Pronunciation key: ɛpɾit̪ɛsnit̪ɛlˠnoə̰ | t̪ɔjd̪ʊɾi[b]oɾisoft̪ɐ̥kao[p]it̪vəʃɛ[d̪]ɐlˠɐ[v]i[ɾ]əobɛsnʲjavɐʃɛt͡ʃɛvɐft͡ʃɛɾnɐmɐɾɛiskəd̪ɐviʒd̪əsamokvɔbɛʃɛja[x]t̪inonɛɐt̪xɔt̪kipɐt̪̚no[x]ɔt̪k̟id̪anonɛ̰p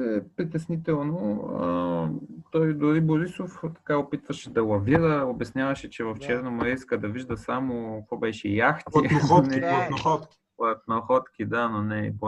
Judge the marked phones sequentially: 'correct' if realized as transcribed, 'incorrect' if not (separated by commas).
correct, correct, correct, correct, correct, correct, correct